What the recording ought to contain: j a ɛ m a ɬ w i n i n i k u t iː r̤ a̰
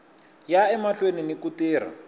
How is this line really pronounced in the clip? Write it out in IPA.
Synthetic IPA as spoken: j a ɛ m a ɬ w e n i n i k u t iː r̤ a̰

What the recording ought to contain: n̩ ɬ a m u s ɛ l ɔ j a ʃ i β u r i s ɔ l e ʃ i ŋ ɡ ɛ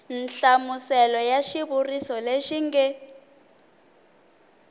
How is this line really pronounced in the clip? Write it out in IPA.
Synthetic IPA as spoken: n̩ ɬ a m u s ɛ l ɔ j a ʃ i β u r i s ɔ l e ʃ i ŋ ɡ ɛ

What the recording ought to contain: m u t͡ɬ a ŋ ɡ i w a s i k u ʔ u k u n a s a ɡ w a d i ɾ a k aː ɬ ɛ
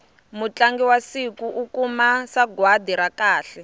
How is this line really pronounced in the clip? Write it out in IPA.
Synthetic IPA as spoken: m u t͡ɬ a ŋ ɡ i w a s i k u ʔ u k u m a s a ɡ w a d i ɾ a k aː ɬ ɛ

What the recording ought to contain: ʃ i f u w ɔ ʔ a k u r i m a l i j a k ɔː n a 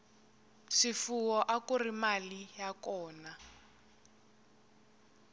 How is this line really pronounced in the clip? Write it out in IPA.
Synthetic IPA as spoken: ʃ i f u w ɔ ʔ a k u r i m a l i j a k ɔː n a

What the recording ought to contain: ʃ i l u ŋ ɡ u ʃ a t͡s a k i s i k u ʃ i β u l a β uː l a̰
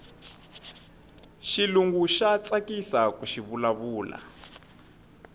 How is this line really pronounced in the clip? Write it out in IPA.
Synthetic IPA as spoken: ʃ i l u ŋ ɡ u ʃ a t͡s a k i s a k u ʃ i β u l a β uː l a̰

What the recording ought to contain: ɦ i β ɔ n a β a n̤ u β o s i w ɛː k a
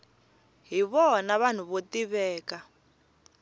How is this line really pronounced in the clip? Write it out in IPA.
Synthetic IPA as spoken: ɦ i β ɔ n a β a n̤ u β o t i β ɛː k a

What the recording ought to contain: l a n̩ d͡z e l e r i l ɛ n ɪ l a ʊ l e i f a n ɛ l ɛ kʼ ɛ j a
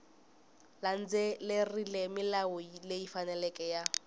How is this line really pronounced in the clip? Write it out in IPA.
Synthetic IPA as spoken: l a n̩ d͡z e l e r i l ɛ m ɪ l a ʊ l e i f a n ɛ l ɛ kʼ ɛ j a

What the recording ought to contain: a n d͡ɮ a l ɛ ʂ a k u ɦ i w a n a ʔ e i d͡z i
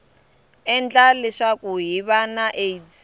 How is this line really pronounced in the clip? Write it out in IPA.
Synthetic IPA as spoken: ɛ n d͡ɮ a l ɛ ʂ a k u ɦ i β a n a ʔ e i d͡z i

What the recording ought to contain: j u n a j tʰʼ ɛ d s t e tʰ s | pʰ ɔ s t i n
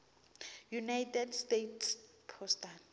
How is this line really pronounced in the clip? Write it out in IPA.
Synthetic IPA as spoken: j u n a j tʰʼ ɛ d s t e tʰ s | pʰ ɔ s t a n

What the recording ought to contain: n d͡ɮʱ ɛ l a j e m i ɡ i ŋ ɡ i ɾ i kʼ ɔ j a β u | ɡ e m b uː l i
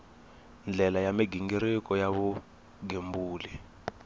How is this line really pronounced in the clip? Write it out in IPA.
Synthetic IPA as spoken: n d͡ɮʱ ɛ l a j a m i ɡ i ŋ ɡ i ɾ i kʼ ɔ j a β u | ɡ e m b uː l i

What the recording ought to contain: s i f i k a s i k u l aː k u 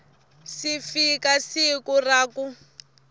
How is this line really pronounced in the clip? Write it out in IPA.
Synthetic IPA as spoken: s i f i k a s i k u r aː k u

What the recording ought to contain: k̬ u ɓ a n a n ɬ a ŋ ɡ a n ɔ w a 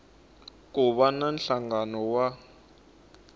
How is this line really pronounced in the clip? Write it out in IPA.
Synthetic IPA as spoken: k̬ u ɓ a n a n ɬ a ŋ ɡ a n ɔ w a

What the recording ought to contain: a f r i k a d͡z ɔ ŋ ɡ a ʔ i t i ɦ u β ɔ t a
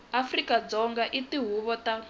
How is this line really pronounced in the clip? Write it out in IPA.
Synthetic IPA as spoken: a f r i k a d͡z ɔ ŋ ɡ a ʔ i t i ɦ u β ɔ t a

